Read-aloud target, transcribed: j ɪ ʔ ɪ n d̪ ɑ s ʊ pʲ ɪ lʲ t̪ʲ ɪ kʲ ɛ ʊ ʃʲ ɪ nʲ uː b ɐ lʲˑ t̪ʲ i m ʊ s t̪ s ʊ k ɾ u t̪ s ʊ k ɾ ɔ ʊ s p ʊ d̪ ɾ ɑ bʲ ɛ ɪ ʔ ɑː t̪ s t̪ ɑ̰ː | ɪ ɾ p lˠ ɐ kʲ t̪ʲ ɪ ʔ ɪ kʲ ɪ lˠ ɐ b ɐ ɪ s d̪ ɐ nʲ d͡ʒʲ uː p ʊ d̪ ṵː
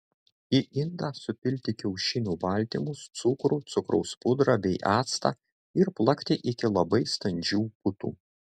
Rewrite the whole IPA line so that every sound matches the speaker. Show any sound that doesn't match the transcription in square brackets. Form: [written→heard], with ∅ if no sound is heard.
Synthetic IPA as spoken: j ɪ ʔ ɪ n d̪ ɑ s ʊ pʲ ɪ lʲ t̪ʲ ɪ kʲ ɛ ʊ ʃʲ ɪ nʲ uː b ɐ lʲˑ t̪ʲ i m ʊ s t̪ s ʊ k ɾ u t̪ s ʊ k ɾ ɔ ʊ s p ʊ d̪ ɾ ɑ bʲ ɛ ɪ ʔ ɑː t̪ s t̪ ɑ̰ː | ɪ ɾ p lˠ ɐ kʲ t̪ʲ ɪ ʔ ɪ kʲ ɪ lˠ ɐ b ɐ ɪ s [d̪→t̪] ɐ nʲ d͡ʒʲ uː p ʊ [d̪→t̪] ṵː